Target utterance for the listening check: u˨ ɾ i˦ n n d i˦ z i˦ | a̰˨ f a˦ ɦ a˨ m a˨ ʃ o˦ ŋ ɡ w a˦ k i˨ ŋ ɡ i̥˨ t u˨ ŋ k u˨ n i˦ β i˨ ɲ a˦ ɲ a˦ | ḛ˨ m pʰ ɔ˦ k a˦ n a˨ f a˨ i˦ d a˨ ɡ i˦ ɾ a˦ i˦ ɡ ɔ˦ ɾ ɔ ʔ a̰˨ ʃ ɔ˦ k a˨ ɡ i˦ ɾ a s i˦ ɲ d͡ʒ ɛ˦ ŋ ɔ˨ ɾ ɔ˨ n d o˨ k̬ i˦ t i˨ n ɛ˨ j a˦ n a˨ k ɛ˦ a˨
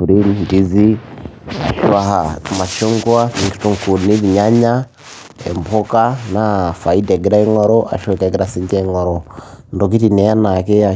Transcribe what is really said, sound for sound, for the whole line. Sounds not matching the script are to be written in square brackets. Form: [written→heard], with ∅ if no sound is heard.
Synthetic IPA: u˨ ɾ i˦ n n d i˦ z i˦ | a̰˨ [f→ʃ] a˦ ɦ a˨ m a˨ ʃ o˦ ŋ ɡ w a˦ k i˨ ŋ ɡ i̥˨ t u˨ ŋ k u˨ n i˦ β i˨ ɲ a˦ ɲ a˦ | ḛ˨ m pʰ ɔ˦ k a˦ n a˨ f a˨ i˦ d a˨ ɡ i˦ ɾ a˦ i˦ [ɡ→ŋ] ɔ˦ ɾ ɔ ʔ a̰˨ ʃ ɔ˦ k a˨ ɡ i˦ ɾ a s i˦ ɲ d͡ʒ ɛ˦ ŋ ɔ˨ ɾ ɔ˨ n d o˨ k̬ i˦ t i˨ n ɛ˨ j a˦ n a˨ k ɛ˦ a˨